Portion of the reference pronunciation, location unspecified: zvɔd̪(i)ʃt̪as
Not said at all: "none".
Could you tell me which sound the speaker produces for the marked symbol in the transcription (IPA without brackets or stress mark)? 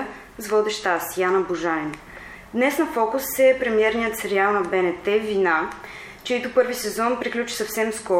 ɛ